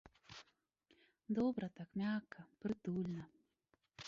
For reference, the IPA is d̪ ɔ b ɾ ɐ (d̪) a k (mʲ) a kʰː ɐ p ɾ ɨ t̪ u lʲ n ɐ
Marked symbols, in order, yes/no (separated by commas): no, yes